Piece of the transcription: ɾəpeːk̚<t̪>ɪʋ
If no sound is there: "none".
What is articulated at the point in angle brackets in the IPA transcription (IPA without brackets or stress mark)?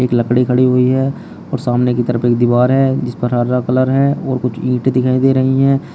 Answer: d̪